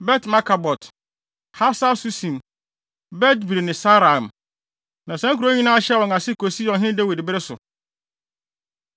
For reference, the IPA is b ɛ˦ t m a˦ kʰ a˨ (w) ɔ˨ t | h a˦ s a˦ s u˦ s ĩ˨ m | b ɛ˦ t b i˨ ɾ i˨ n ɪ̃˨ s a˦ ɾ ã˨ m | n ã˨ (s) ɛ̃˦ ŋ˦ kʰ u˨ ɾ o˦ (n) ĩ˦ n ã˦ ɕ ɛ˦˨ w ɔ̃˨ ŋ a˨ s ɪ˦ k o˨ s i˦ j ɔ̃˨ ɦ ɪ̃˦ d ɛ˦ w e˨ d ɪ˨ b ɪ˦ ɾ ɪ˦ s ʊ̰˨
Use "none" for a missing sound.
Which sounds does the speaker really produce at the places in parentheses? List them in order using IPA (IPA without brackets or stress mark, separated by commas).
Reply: b, s, ɲ